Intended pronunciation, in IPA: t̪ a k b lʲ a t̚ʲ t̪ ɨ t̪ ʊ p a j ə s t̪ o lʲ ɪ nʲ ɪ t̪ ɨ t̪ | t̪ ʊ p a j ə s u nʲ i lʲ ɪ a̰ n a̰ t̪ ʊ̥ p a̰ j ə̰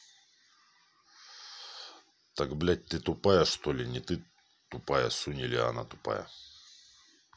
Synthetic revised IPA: t̪ a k b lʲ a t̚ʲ t̪ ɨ t̪ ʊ p a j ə ʂ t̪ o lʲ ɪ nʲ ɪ t̪ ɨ | t̪ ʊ p a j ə s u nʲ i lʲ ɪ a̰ n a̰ t̪ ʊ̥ p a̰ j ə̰

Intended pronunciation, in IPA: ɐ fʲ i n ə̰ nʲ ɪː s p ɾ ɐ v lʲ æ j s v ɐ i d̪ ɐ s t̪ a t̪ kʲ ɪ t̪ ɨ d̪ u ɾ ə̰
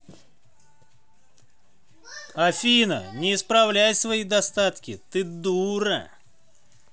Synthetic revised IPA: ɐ fʲ i n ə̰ nʲ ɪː s p ɾ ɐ v lʲ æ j s v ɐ i d̪ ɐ s t̪ a t̪ kʲ ɪ t̪ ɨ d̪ u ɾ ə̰

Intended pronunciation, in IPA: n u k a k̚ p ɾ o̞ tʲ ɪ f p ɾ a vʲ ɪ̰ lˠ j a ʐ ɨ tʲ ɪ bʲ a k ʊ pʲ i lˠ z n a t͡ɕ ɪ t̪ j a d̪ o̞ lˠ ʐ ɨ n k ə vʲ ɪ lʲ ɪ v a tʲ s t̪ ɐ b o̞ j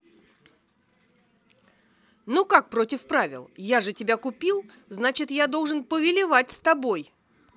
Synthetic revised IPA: n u k a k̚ p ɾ o̞ tʲ ɪ f p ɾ a vʲ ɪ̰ lˠ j a ʐ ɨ tʲ ɪ bʲ a k ʊ pʲ i lˠ z n a t͡ɕ ɪ t̪ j a d̪ o̞ lˠ ʐ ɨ n p ə vʲ ɪ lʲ ɪ v a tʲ s t̪ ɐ b o̞ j

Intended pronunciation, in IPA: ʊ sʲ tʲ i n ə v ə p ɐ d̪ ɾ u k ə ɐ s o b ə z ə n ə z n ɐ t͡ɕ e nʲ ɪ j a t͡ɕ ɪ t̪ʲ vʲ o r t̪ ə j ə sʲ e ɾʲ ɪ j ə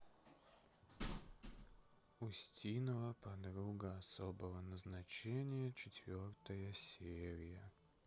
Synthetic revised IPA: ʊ sʲ tʲ i n ə v ə p ɐ d̪ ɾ u ɡ ə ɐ s o b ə v ə n ə z n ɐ t͡ɕ e nʲ ɪ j ə t͡ɕ ɪ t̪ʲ vʲ o r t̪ ə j ə sʲ e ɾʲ ɪ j ə

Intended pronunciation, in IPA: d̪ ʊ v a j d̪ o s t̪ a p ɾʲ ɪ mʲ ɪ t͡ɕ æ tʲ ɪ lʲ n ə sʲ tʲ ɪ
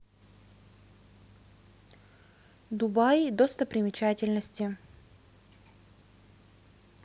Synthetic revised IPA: d̪ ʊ b a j d̪ o s t̪ ə p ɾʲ ɪ mʲ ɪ t͡ɕ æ tʲ ɪ lʲ n ə sʲ tʲ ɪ

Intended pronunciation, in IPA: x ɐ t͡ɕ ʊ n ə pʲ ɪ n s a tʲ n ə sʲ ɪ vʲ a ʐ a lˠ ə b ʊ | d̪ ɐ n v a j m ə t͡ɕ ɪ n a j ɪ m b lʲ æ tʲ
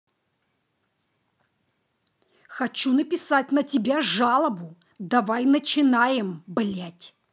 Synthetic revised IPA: x ɐ t͡ɕ u n ə pʲ ɪ s a tʲ n ə tʲ ɪ bʲ a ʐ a lˠ ə b ʊ | d̪ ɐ v a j n ə t͡ɕ ɪ n a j ɪ m b lʲ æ tʲ

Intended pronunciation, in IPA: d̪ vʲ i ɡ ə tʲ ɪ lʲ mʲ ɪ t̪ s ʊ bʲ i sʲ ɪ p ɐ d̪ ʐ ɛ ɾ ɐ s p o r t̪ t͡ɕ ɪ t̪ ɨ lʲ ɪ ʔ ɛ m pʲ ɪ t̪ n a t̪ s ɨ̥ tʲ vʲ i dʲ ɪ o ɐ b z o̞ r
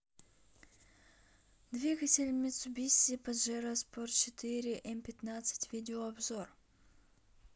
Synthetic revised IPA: d̪ vʲ i ɡ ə tʲ ɪ lʲ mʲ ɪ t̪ s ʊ bʲ i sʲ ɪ p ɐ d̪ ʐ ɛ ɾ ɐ s p o r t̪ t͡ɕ ɪ t̪ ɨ ɾʲ ɪ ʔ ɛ m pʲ ɪ t̪ n a t̪ s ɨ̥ tʲ vʲ i dʲ ɪ o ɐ b z o̞ r

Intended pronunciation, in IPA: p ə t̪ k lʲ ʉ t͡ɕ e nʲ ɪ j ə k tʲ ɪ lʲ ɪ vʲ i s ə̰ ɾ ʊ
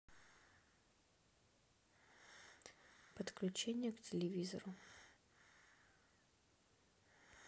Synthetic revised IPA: p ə t̪ k lʲ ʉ t͡ɕ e nʲ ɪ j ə k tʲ ɪ lʲ ɪ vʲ i z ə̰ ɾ ʊ

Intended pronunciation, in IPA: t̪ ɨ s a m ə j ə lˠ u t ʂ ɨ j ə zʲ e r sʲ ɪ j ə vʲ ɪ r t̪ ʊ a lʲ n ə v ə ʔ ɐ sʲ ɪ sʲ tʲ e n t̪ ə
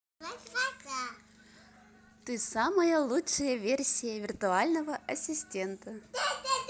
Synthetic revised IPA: t̪ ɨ s a m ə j ə lˠ u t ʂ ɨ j ə vʲ e r sʲ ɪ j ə vʲ ɪ r t̪ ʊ a lʲ n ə v ə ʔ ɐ sʲ ɪ sʲ tʲ e n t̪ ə

